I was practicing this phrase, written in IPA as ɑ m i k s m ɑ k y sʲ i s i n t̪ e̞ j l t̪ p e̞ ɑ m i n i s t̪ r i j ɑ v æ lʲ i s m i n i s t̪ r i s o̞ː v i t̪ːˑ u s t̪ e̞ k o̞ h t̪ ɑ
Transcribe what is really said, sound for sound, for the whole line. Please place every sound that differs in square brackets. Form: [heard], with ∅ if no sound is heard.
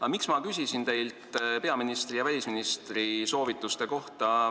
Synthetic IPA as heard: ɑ m i k s m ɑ k y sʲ i s i n t̪ e̞ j l t̪ p e̞ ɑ m i n i s t̪ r i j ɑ v æ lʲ i s m i n i s t̪ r i s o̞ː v i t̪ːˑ u s t̪ e̞ k o̞ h t̪ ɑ